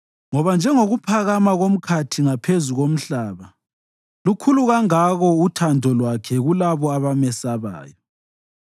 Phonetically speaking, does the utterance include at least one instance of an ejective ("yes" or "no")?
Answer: no